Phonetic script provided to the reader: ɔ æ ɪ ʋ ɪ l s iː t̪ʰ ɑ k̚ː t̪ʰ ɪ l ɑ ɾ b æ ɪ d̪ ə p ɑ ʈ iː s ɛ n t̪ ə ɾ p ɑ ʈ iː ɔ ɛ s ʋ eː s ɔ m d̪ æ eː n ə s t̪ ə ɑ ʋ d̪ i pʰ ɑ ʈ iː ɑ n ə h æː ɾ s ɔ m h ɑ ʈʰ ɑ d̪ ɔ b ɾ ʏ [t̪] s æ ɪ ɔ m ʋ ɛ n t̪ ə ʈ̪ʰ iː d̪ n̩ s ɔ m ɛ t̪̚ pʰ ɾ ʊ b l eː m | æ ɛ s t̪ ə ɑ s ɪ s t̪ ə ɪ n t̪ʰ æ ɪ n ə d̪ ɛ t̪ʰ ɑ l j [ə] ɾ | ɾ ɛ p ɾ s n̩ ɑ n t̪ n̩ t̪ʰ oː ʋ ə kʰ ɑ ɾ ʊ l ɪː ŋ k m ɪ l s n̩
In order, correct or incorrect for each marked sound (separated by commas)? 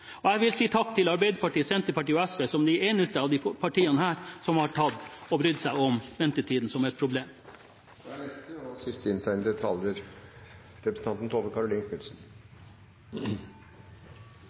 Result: incorrect, correct